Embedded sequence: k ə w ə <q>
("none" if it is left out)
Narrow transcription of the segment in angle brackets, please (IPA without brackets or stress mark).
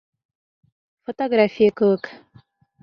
k